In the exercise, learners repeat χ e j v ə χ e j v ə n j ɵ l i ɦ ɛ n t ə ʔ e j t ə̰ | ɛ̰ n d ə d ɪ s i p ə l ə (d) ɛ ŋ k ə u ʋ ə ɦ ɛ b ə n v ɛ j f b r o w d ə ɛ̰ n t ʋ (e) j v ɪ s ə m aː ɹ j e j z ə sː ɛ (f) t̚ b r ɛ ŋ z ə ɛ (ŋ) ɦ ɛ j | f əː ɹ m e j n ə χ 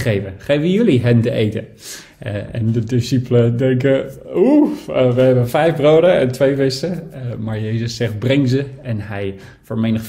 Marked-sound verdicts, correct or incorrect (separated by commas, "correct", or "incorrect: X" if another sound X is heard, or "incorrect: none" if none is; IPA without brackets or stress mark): correct, correct, incorrect: χ, incorrect: n